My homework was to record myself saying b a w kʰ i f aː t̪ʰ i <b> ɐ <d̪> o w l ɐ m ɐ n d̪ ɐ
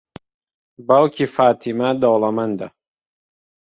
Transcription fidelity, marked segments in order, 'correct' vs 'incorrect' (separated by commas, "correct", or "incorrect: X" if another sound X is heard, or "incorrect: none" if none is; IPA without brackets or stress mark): incorrect: m, correct